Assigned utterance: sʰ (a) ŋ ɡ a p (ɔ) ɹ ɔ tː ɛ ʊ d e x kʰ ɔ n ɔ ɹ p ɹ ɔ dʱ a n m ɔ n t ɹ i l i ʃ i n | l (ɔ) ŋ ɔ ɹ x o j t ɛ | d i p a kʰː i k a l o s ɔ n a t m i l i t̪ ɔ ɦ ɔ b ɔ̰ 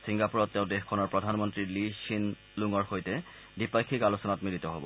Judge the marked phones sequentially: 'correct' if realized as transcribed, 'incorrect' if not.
incorrect, incorrect, incorrect

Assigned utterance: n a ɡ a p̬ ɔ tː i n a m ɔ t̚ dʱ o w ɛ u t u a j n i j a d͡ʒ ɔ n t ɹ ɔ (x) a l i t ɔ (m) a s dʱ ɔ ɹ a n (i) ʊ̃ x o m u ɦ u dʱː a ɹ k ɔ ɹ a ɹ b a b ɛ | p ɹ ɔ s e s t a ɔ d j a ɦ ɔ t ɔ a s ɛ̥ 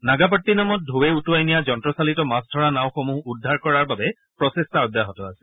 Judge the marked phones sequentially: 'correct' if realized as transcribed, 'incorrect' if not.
incorrect, correct, incorrect

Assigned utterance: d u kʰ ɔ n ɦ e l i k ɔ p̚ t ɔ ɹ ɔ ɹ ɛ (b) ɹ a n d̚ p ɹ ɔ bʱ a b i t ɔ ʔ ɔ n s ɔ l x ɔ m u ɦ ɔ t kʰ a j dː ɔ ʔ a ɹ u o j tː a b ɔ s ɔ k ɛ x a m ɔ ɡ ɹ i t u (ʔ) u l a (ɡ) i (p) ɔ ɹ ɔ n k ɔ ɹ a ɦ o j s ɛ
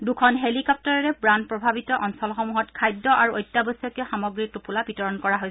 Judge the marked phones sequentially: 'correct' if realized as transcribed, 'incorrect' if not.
correct, incorrect, incorrect, incorrect

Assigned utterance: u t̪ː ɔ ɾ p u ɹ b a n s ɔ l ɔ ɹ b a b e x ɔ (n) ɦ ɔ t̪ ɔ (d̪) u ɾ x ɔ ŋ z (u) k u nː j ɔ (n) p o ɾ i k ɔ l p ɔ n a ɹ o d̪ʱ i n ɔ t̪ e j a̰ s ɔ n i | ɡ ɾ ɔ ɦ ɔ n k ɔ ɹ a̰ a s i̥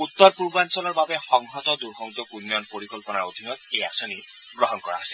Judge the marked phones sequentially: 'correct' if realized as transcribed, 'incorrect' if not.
incorrect, correct, incorrect, correct

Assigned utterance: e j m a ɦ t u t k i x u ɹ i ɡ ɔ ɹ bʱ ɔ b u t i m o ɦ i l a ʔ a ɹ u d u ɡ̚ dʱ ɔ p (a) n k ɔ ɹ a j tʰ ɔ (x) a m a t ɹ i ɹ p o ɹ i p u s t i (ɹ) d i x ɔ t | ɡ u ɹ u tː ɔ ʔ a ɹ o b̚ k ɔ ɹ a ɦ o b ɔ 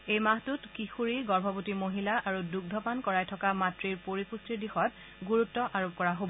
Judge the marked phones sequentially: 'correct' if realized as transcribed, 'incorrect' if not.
correct, incorrect, correct

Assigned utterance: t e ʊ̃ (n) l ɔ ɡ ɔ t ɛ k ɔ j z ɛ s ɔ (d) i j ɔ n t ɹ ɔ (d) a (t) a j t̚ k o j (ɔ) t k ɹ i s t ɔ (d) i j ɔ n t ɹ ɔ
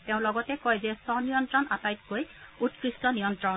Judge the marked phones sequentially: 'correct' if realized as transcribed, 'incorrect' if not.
incorrect, incorrect, incorrect, correct, incorrect, incorrect

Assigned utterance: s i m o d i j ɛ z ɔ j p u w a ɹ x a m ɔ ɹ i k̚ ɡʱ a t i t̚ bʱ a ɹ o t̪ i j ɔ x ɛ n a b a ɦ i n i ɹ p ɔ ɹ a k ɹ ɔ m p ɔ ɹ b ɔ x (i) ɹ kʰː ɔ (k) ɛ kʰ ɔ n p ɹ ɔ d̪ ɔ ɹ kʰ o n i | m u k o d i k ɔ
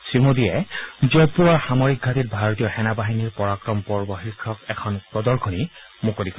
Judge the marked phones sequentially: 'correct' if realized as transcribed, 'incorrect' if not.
correct, correct

